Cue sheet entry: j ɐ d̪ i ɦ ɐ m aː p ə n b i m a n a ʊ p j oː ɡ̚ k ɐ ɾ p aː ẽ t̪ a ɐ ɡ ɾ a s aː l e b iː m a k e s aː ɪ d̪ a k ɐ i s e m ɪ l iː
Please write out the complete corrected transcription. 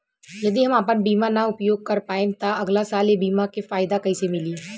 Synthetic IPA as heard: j ɐ d̪ i ɦ ɐ m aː p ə n b iː m a n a ʊ p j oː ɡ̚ k ɐ ɾ p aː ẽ t̪ a ɐ ɡ l a s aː l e b iː m a k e f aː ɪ d̪ a k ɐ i s e m ɪ l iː